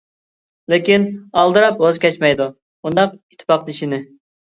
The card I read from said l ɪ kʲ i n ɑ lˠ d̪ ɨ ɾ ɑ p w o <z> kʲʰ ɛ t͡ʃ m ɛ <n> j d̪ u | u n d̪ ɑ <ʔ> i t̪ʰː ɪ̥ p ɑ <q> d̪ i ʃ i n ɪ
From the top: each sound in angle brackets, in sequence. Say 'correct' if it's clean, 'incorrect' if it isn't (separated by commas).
correct, incorrect, incorrect, correct